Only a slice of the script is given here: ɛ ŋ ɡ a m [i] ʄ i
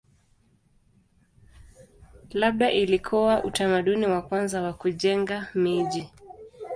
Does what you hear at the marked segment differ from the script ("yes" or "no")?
no